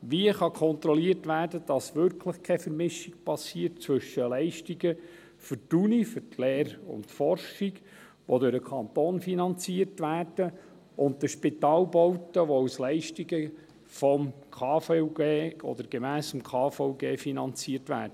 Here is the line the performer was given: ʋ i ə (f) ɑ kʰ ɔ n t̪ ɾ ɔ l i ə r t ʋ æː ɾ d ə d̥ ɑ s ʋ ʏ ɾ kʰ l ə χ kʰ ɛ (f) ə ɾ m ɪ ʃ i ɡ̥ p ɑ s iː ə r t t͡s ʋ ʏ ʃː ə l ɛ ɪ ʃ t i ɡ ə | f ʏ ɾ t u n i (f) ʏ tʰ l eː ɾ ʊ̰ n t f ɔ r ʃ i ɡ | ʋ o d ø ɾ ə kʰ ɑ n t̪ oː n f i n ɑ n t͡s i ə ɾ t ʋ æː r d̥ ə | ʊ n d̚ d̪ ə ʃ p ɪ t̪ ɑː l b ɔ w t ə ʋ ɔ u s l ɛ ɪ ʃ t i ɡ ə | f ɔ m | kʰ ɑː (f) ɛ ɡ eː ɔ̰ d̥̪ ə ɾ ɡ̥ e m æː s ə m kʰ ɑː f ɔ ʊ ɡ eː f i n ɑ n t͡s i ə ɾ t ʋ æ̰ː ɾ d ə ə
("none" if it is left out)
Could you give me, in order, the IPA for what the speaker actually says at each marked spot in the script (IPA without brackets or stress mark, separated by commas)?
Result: χ, f, f, f